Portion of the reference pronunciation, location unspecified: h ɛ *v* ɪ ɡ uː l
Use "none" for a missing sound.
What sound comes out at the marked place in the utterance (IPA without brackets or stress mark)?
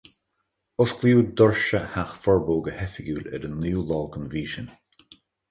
f